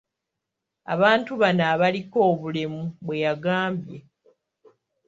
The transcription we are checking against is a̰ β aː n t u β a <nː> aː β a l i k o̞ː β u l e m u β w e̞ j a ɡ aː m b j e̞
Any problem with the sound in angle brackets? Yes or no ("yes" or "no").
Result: yes